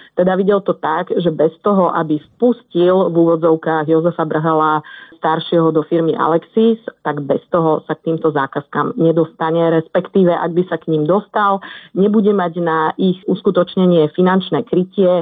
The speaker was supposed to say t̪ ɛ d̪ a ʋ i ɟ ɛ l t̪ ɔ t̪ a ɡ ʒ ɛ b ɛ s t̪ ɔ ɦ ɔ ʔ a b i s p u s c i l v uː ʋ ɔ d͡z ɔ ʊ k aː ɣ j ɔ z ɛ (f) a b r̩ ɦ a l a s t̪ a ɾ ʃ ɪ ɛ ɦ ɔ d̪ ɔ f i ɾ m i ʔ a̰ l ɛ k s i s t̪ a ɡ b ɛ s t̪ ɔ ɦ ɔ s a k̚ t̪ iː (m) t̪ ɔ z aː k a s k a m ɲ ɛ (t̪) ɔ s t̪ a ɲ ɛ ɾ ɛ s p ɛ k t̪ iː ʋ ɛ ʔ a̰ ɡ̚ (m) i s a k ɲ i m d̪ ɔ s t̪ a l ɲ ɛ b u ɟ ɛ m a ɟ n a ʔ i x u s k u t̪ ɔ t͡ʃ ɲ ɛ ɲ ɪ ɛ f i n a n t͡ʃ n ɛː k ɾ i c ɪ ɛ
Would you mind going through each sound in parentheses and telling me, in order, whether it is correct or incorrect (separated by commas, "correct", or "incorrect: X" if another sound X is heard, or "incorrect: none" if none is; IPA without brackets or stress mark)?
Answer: correct, correct, incorrect: d̪, incorrect: b